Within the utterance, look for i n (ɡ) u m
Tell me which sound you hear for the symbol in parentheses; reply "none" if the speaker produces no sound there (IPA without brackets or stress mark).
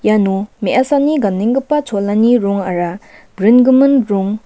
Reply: ɡ